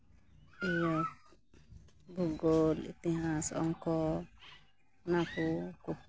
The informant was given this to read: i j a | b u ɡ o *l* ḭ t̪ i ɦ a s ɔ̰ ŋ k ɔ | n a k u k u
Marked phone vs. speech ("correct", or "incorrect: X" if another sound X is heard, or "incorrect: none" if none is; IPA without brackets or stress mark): correct